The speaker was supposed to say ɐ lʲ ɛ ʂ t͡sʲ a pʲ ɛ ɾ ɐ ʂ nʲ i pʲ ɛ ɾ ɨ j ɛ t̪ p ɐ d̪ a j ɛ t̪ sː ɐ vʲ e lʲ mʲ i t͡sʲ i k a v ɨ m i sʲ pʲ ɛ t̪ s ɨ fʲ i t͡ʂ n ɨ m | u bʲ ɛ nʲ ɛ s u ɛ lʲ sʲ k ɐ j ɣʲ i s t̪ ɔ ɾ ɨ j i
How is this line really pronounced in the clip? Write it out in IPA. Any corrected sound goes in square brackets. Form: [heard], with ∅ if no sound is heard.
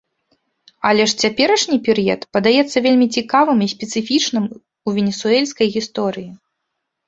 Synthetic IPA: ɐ lʲ ɛ ʂ t͡sʲ a pʲ ɛ ɾ ɐ ʂ nʲ i pʲ ɛ ɾ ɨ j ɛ t̪ p ɐ d̪ a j ɛ t̪ sː ɐ vʲ e lʲ mʲ i t͡sʲ i k a v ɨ m i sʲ pʲ ɛ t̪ s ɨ fʲ i t͡ʂ n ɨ m | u [vʲ] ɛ nʲ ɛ s u ɛ lʲ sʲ k ɐ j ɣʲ i s t̪ ɔ ɾ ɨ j i